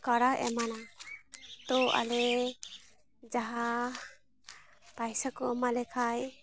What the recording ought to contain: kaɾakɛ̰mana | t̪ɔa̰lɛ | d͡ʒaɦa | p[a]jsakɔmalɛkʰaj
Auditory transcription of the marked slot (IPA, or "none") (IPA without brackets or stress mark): a